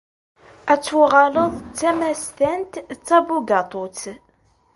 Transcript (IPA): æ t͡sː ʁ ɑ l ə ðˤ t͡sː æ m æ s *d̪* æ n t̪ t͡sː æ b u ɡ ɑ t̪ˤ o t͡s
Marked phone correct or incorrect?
incorrect